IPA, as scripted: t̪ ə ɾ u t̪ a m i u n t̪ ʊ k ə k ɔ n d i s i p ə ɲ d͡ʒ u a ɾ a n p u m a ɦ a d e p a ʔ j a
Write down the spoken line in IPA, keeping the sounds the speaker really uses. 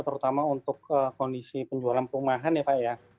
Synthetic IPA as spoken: t̪ ə ɾ u t̪ a m a u n t̪ ʊ k ə k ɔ n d i s i p ə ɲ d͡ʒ u a l a n p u m a ɦ a n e p a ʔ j a